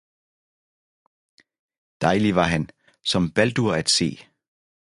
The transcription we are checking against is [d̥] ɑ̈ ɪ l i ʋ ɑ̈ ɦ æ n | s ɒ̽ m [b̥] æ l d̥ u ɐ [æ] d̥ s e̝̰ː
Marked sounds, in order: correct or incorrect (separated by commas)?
correct, correct, correct